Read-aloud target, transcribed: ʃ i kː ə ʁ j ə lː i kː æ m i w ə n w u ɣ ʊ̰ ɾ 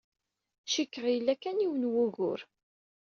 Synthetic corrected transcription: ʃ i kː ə ʁ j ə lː æ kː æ n i w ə n w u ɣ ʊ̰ ɾ